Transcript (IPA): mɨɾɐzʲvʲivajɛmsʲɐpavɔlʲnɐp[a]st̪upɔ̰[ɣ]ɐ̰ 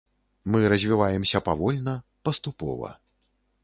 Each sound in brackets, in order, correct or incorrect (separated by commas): incorrect, incorrect